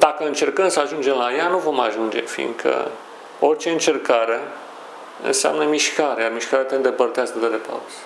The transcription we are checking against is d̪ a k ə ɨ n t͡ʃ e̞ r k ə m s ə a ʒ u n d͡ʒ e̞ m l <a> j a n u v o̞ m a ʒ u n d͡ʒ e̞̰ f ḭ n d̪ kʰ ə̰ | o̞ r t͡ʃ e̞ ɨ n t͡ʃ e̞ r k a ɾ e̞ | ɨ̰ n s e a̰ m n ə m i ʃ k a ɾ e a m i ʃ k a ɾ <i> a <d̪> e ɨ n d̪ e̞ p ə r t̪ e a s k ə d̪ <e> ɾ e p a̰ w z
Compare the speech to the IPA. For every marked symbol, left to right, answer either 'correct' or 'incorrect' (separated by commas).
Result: correct, incorrect, incorrect, correct